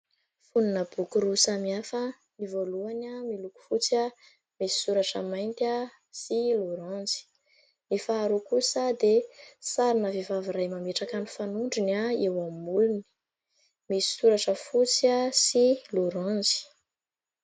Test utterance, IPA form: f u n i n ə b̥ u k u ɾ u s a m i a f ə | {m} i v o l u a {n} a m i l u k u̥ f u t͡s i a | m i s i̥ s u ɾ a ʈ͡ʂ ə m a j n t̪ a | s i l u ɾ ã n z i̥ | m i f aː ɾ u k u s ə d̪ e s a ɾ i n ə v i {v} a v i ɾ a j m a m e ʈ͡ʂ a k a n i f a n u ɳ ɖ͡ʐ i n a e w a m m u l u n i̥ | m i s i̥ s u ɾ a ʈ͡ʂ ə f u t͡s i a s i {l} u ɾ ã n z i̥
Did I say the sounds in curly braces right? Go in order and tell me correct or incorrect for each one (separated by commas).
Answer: incorrect, correct, correct, correct